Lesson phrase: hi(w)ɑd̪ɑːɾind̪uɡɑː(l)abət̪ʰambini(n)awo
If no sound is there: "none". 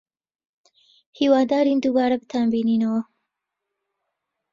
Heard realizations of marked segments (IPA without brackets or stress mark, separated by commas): w, ɾ, n